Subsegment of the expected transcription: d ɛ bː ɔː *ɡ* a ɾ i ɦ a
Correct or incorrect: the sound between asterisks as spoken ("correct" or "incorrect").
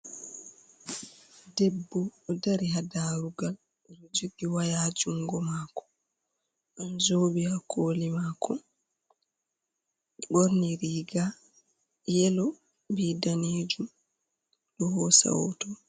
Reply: incorrect